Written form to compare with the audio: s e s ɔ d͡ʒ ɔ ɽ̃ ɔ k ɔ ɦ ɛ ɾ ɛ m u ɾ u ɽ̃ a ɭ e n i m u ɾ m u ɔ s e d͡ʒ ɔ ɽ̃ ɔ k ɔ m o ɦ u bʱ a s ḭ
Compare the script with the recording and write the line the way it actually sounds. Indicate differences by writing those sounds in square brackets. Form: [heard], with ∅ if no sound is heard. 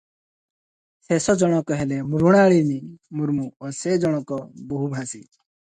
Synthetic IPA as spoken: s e s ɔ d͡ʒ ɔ ɽ̃ ɔ k ɔ ɦ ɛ [l] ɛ m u ɾ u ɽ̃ a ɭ [i] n i m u ɾ m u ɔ s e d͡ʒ ɔ ɽ̃ ɔ k ɔ [b] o ɦ u bʱ a s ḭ